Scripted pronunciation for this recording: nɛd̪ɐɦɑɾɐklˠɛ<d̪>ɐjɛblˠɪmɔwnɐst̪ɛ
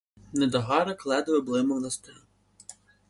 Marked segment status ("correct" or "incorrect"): correct